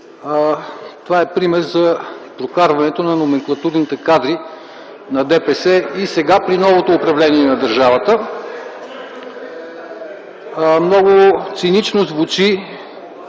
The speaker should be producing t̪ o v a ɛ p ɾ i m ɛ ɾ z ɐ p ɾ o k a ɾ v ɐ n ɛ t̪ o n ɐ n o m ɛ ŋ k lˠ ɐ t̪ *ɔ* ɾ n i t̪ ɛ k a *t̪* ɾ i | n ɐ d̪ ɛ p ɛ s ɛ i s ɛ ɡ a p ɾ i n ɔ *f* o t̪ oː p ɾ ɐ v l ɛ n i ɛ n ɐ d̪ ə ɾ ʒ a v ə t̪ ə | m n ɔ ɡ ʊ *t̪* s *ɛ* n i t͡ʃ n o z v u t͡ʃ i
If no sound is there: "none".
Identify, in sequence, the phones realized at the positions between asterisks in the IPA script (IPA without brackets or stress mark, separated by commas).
u, d̪, v, t̪, i